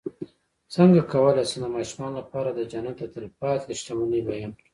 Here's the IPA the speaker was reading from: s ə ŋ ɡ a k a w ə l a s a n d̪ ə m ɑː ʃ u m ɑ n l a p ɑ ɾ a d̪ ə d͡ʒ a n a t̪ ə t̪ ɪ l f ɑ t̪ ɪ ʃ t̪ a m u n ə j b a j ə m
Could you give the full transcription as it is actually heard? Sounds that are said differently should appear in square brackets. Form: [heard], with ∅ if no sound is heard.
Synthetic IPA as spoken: s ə ŋ ɡ a k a w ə l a s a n d̪ ə m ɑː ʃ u m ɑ n l a p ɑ ɾ a d̪ ə d͡ʒ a n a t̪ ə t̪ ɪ l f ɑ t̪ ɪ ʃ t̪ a m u n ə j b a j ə m